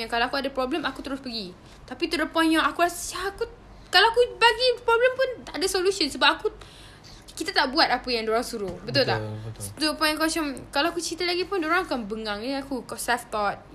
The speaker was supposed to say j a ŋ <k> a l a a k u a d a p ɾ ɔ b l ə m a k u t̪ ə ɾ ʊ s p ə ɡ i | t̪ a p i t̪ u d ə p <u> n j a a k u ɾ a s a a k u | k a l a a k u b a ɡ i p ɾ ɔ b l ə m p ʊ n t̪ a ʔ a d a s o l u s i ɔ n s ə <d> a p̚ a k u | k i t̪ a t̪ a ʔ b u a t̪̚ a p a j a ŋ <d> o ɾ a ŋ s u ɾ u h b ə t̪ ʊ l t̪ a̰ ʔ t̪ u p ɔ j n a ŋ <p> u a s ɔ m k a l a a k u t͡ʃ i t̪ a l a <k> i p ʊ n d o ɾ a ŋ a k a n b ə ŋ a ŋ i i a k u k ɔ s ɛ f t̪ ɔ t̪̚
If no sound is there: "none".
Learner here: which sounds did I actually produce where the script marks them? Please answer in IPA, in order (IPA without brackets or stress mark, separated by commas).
k, ɔ, b, d, k, ɡ